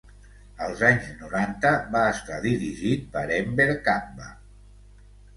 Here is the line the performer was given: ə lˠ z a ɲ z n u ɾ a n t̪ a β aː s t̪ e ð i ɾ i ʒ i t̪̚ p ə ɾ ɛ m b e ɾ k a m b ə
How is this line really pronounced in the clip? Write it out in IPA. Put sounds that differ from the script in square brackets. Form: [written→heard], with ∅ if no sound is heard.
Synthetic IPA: ə lˠ z a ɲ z n u ɾ a n t̪ [a→ə] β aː s t̪ [e→a] ð i ɾ i ʒ i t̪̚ p ə ɾ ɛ m b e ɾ k a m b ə